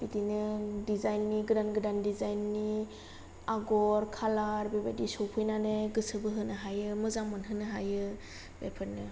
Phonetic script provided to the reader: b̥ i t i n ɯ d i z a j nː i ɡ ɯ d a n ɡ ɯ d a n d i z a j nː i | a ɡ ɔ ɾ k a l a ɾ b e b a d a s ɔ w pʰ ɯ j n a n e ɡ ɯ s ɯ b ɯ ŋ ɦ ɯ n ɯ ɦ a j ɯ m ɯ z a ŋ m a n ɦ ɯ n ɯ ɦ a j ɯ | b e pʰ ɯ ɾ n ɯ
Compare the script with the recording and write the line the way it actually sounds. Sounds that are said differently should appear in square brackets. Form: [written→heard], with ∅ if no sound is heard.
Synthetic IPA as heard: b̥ i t i n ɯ d i z a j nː i ɡ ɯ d a n ɡ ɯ d a n d i z a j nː i | a ɡ ɔ ɾ [k→kʰ] a l a ɾ b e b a d [a→i] s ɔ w pʰ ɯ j n a n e ɡ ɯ s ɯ b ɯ [ŋ→∅] ɦ ɯ n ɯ ɦ a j ɯ m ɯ z a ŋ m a n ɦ ɯ n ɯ ɦ a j ɯ | b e pʰ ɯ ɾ n ɯ